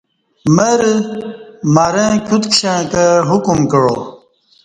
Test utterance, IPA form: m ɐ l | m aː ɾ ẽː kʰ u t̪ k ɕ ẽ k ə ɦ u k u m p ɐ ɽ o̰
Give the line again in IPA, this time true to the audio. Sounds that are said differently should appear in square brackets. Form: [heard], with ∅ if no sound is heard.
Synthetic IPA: m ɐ [ɾ] | m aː ɾ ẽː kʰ u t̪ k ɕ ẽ k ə ɦ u k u m [k] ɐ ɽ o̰